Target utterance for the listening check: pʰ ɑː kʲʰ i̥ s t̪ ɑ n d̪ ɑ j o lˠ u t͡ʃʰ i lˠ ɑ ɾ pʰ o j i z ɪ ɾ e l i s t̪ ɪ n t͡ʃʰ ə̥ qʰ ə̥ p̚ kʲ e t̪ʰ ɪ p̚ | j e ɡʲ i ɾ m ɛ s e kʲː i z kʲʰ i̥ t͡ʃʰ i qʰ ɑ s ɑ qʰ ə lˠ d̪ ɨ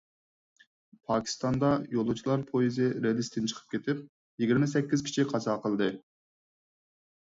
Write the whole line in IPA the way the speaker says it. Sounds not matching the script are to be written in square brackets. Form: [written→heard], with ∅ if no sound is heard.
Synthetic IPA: pʰ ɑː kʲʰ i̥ s t̪ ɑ n d̪ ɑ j o lˠ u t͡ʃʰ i lˠ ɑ ɾ pʰ o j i z ɪ ɾ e l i s t̪ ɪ n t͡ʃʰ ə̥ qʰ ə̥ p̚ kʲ e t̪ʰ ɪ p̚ | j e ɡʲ i ɾ m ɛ s [e→ɛ] kʲː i z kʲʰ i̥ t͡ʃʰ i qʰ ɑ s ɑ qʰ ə lˠ d̪ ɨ